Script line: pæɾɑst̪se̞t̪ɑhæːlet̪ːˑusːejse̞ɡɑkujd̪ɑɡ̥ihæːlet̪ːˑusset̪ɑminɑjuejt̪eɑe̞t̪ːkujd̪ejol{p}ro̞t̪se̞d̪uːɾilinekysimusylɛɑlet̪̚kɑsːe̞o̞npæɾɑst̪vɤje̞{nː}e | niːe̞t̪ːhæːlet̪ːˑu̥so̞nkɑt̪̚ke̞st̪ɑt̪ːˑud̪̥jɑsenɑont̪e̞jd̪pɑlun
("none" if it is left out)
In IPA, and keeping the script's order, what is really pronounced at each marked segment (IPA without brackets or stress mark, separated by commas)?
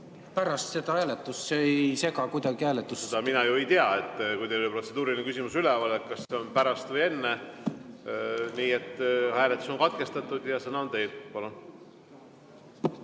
p, nː